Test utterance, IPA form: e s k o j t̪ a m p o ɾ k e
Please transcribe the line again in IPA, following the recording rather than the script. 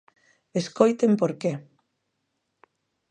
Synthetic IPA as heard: e s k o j t̪ e m p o ɾ k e

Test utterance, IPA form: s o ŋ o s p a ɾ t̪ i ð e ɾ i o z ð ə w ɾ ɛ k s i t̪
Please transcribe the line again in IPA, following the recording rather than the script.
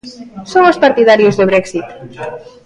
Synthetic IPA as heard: s o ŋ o s p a ɾ t̪ i ð a ɾ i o z ð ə β ɾ ɛ k s i t̪

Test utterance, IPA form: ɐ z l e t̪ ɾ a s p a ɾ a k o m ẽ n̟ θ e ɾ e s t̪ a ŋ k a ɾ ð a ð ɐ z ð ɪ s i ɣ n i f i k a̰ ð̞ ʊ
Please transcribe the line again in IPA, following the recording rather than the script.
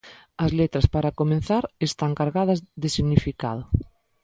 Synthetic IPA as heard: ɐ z l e t̪ ɾ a s p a ɾ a k o m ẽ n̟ θ a ɾ e s t̪ a ŋ k a ɾ ɣ a ð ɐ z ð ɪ s i ɣ n i f i k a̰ ð̞ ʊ

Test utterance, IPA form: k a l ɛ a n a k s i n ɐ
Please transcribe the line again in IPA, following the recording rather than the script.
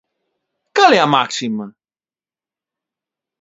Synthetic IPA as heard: k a l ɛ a m a k s i m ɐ

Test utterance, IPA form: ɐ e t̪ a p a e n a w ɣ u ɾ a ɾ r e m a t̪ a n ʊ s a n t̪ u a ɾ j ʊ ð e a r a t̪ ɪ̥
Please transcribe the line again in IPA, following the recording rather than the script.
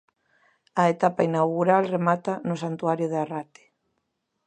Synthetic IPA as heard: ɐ e t̪ a p a i n a w ɣ u ɾ a l r e m a t̪ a n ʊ s a n t̪ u a ɾ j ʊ ð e a r a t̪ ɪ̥

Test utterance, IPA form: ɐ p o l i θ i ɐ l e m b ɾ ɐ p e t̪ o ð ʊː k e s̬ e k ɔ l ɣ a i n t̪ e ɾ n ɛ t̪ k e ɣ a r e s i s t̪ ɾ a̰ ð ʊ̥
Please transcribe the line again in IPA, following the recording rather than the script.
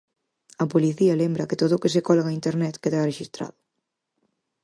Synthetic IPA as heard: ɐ p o l i θ i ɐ l e m b ɾ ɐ k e t̪ o ð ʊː k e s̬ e k ɔ l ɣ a i n t̪ e ɾ n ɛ t̪ k e ð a r e ʃ i s t̪ ɾ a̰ ð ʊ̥

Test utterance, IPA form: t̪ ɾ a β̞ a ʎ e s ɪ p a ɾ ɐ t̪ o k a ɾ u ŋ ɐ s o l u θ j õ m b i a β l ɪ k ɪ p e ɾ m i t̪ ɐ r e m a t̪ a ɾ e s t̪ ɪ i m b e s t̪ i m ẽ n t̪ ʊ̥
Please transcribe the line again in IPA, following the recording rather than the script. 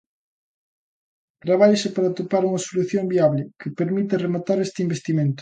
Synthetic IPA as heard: t̪ ɾ a β̞ a ʎ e s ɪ p a ɾ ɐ t̪ o p a ɾ u ŋ ɐ s o l u θ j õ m b i a β l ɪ k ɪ p e ɾ m i t̪ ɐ r e m a t̪ a ɾ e s t̪ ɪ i m b e s t̪ i m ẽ n t̪ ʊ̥

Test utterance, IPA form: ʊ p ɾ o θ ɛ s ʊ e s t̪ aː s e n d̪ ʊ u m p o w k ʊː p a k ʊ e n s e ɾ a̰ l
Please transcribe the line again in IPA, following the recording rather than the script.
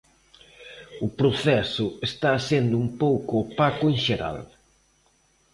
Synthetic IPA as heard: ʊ p ɾ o θ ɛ s ʊ e s t̪ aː s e n d̪ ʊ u m p o w k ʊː p a k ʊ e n ʃ e ɾ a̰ l

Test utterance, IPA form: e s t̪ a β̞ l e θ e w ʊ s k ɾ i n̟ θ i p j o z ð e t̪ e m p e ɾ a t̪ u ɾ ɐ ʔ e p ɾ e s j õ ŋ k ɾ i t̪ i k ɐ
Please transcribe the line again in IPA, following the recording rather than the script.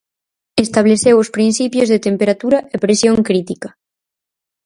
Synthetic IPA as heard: e s t̪ a β̞ l e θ e w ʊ s p ɾ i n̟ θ i p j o z ð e t̪ e m p e ɾ a t̪ u ɾ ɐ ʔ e p ɾ e s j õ ŋ k ɾ i t̪ i k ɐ

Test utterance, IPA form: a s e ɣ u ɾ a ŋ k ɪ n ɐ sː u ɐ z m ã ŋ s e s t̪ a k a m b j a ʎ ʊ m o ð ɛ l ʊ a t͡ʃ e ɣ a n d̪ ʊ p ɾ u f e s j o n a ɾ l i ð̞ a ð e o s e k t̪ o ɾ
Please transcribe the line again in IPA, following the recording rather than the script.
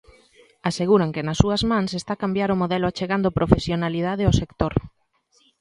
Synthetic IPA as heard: a s e ɣ u ɾ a ŋ k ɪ n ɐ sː u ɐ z m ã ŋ s e s t̪ a k a m b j a ɾ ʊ m o ð ɛ l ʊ a t͡ʃ e ɣ a n d̪ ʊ p ɾ o f e s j o n a l i ð̞ a ð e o s e k t̪ o ɾ

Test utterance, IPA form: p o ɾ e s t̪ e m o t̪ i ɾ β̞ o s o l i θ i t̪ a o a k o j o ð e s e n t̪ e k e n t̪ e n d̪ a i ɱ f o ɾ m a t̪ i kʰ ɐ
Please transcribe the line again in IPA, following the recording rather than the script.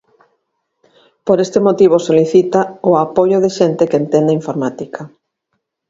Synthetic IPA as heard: p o ɾ e s t̪ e m o t̪ i β̞ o s o l i θ i t̪ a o a p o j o ð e ʃ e n t̪ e k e n t̪ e n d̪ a i ɱ f o ɾ m a t̪ i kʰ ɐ

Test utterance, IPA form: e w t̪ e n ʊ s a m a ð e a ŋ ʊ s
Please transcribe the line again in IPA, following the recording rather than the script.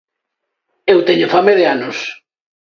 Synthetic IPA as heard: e w t̪ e ɲ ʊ f a m e ð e a n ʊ s

